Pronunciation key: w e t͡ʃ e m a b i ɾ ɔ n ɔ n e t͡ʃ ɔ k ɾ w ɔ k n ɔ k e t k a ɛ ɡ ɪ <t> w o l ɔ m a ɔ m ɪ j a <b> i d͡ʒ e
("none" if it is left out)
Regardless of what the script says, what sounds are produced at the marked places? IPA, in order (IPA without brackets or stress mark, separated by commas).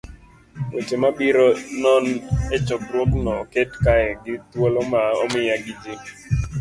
t, ɡ